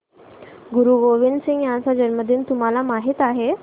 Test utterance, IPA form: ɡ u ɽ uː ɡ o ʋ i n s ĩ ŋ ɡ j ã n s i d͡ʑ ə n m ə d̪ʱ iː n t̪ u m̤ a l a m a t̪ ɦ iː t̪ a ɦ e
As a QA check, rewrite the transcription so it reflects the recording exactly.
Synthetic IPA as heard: ɡ u ɾ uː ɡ o ʋ i n s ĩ ŋ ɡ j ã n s a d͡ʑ ə n m ə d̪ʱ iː n t̪ u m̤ a l a m a ɦ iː t̪ a ɦ e

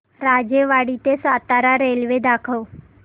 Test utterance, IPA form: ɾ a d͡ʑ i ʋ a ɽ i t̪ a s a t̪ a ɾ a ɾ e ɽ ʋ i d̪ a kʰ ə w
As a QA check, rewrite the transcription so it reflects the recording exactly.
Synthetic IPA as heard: ɾ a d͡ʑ e ʋ a ɽ i t̪ e s a t̪ a ɾ a ɾ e l ʋ e d̪ a kʰ ə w

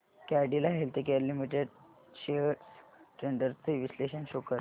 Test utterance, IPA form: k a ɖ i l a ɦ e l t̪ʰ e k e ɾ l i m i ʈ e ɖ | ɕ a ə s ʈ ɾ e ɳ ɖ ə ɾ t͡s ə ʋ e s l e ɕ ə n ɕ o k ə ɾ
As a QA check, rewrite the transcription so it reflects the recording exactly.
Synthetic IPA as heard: k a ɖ i l a ɦ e l t̪ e k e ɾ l i m i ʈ e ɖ | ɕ e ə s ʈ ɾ e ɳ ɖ ə ɾ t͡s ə ʋ i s l e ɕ ə n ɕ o k ə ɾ

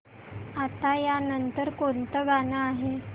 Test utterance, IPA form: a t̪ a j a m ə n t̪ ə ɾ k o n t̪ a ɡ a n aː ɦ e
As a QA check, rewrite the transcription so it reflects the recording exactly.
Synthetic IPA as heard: a t̪ a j a n ə n t̪ ə ɾ k o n t̪ ə ɡ a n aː ɦ e

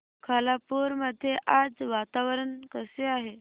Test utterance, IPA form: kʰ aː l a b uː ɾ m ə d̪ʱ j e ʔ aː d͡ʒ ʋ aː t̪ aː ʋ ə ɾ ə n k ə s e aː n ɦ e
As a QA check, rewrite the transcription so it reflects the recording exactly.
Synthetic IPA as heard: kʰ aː l a p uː ɾ m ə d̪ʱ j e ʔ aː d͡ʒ ʋ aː t̪ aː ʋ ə ɾ ə n k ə s e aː ɦ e

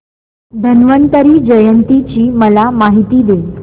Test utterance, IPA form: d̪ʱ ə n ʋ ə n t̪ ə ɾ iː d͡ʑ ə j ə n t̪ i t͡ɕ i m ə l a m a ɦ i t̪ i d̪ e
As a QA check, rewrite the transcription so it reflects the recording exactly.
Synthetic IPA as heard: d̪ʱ ə n ʋ ə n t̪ ə ɾ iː d͡ʑ ə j ə n t̪ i t͡ɕ iː m ə l a m a ɦ i t̪ iː d̪ e

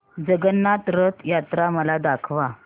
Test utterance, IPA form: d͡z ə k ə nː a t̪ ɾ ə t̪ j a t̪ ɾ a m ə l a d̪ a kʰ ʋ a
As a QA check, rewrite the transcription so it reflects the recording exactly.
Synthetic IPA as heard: d͡z ə ɡ ə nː a t̪ ɾ ə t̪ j a t̪ ɾ a m ə l a d̪ a kʰ ʋ a

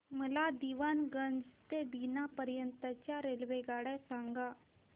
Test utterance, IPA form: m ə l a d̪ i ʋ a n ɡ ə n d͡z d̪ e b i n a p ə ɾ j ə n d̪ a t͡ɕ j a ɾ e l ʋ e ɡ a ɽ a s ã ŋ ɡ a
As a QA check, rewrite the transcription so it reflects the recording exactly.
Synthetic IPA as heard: m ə l a d̪ i ʋ a n ɡ ə n d͡z t̪ e b i n a p ə ɾ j ə n t̪ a t͡ɕ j a ɾ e l ʋ e ɡ a ɽ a s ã ŋ ɡ a

